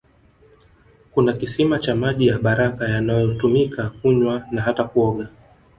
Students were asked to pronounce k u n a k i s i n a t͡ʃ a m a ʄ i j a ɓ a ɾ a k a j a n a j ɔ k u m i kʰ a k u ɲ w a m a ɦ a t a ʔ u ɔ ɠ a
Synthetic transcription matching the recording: k u n a k i s i m a t͡ʃ a m a ʄ i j a ɓ a ɾ a k a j a n a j ɔ t u m i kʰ a k u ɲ w a n a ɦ a t a k u ɔ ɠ a